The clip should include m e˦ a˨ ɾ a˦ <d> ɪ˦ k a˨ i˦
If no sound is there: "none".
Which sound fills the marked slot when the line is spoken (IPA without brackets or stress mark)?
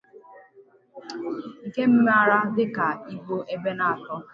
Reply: d